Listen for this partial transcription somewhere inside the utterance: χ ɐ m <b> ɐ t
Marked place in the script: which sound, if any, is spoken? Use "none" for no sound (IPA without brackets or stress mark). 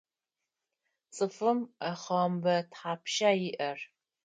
b